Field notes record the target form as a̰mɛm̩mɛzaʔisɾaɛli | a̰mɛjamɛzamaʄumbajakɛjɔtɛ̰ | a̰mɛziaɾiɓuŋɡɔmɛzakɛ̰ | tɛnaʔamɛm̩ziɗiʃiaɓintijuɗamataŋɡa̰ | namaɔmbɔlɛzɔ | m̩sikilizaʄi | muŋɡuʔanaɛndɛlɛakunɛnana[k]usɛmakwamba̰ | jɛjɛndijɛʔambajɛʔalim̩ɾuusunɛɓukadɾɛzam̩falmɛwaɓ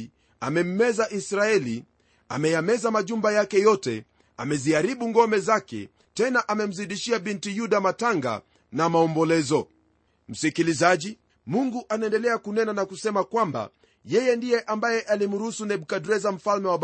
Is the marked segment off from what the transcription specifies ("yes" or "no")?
no